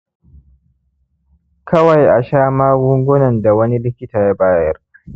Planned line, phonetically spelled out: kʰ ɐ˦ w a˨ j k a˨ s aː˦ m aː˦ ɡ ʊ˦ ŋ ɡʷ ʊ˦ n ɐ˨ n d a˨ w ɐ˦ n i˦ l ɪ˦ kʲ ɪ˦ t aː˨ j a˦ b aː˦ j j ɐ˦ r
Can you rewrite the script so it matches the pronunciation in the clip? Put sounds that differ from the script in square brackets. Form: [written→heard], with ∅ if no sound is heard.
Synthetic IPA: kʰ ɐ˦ w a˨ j [k→ʔ] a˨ [s→ʃ] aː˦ m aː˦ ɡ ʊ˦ ŋ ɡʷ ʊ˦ n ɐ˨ n d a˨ w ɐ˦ n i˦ l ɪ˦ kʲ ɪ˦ t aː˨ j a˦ b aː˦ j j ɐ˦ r